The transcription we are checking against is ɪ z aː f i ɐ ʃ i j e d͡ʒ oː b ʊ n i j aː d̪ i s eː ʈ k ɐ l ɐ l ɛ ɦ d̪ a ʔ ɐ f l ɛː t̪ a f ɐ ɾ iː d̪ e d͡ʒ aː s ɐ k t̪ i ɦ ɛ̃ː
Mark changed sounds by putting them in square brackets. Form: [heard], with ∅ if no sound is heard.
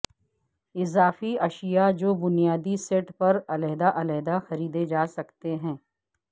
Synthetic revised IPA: ɪ z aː f i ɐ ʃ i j [a] d͡ʒ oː b ʊ n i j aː d̪ i s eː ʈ [p] ɐ [ɾ] ɐ l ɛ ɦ d̪ a ʔ ɐ [∅] l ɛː [d̪] a [x] ɐ ɾ iː d̪ e d͡ʒ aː s ɐ k t̪ [e] ɦ ɛ̃ː